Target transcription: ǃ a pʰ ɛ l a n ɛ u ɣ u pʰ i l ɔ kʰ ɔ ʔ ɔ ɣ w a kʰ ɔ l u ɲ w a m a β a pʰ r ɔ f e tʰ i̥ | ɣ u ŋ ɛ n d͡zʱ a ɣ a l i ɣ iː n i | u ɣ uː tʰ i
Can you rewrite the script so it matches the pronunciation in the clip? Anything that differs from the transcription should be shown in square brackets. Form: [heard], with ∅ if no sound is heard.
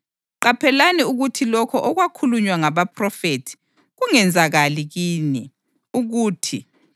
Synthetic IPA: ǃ a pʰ ɛ l a n [i] u ɣ u [tʰ] i l ɔ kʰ ɔ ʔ ɔ ɣ w a kʰ [u] l u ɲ w a [ŋ] a β a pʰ r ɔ f e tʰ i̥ | ɣ u ŋ ɛ n d͡zʱ a ɣ a l i ɣ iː n i | u ɣ uː tʰ i